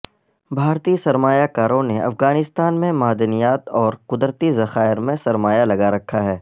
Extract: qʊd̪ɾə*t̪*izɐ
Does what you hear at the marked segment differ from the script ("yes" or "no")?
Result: no